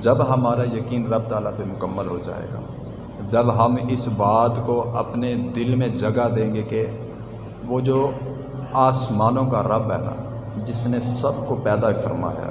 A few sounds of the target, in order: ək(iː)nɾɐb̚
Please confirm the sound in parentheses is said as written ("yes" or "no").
yes